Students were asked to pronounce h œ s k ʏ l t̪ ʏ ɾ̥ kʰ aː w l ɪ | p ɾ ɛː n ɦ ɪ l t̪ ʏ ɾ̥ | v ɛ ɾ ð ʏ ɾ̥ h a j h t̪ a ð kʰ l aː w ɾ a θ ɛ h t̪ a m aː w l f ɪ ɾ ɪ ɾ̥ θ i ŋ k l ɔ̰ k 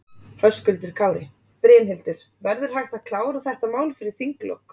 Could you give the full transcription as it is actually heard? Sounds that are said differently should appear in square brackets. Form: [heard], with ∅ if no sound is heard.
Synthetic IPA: h œ s k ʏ l t̪ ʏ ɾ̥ kʰ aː w [ɾ] ɪ | p ɾ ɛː n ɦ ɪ l t̪ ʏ ɾ̥ | v ɛ ɾ ð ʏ ɾ̥ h a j h t̪ a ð kʰ l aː w ɾ a θ ɛ h t̪ a m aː w l f ɪ ɾ ɪ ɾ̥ θ i ŋ k l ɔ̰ k